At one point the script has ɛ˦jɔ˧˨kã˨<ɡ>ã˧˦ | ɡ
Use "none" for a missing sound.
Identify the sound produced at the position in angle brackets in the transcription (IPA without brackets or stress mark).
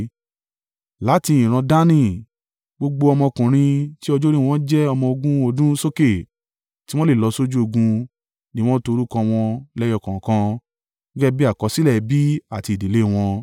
k